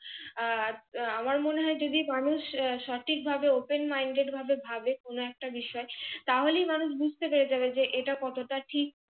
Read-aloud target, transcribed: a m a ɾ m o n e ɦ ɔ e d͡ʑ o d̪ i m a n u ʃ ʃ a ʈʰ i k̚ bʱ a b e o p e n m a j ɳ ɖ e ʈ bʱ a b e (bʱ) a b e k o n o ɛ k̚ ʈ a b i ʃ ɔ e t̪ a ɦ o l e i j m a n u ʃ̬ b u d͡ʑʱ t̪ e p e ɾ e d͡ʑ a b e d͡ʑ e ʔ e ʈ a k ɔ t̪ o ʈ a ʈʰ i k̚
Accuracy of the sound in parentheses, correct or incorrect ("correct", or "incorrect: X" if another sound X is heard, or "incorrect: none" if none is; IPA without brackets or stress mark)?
correct